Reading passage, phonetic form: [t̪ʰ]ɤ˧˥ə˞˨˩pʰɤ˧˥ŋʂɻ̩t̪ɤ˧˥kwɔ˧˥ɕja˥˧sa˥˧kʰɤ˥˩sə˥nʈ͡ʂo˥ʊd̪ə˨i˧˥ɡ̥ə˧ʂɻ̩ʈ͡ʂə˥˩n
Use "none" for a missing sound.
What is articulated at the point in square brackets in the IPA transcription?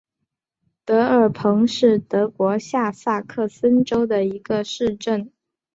t̪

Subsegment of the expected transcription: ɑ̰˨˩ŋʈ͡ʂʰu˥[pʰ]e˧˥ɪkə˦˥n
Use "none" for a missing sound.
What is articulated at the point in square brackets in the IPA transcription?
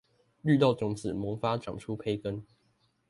pʰ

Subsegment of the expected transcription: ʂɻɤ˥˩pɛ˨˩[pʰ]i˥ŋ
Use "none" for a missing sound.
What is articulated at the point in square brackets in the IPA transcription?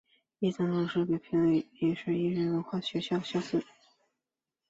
pʰ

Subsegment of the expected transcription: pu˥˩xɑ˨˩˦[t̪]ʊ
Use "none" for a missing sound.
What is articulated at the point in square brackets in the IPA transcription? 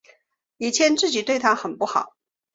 none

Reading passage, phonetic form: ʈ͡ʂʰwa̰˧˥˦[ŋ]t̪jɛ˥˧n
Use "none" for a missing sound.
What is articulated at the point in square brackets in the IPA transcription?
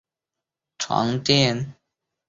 ŋ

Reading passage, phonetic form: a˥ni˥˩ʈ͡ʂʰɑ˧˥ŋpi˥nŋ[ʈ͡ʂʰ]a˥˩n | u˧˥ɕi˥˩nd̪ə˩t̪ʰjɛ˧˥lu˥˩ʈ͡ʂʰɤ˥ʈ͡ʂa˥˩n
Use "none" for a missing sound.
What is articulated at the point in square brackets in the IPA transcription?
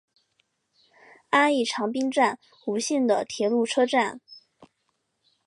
ʈ͡ʂ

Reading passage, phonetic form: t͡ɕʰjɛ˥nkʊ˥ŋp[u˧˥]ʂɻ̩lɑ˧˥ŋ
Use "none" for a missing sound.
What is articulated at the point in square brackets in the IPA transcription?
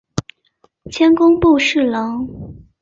u˥˧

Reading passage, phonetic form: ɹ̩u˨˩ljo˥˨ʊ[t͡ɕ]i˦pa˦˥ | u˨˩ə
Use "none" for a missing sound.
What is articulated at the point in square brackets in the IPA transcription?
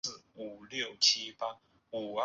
t͡ɕʰ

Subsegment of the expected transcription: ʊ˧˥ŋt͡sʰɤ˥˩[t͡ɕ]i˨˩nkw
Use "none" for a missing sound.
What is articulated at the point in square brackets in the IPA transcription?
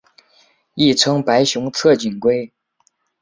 t͡ɕ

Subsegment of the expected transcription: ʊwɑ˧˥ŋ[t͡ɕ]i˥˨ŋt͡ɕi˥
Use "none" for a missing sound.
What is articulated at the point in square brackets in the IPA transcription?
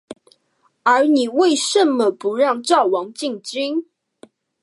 t͡ɕ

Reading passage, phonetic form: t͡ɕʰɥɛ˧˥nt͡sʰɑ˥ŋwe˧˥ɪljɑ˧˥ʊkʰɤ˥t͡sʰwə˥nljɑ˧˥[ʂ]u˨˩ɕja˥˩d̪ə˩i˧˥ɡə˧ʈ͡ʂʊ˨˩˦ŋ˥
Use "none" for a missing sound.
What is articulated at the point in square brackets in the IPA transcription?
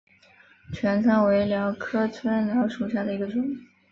ʂ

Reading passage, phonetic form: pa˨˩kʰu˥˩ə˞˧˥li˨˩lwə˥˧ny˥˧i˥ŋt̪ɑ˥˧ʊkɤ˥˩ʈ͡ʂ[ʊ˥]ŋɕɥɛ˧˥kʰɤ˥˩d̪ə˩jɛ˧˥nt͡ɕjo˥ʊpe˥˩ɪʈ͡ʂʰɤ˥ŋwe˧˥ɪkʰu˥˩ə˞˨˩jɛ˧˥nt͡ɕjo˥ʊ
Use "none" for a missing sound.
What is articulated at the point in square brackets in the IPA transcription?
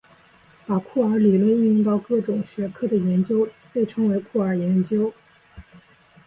ʊ˨˩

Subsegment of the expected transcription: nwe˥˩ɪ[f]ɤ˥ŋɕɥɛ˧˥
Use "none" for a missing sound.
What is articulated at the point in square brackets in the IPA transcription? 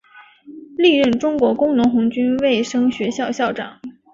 ʂ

